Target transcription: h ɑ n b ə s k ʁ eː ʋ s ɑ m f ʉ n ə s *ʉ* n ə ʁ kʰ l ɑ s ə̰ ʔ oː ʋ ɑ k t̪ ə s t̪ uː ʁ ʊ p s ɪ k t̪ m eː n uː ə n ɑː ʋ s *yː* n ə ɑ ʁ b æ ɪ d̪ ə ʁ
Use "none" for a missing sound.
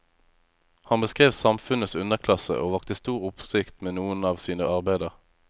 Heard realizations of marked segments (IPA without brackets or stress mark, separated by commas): ʉ, iː